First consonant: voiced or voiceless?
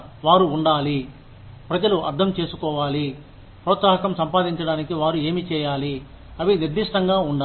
voiced